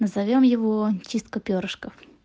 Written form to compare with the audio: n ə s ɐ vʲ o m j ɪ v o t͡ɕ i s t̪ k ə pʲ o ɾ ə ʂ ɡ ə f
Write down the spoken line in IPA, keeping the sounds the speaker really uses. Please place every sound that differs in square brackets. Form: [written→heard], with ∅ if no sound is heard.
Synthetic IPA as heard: n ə [s→z] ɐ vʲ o m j ɪ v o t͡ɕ i s t̪ k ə pʲ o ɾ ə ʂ [ɡ→k] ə f